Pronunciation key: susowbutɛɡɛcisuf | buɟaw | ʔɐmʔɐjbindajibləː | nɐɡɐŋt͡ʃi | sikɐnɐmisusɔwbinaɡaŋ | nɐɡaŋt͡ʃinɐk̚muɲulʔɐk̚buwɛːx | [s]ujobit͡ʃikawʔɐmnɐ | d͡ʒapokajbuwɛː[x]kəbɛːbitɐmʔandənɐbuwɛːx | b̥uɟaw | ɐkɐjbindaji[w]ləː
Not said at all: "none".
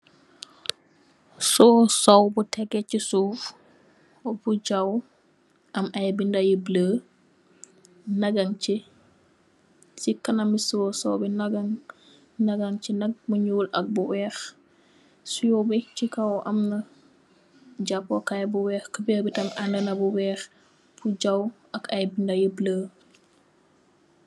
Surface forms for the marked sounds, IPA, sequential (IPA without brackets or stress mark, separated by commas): s, x, b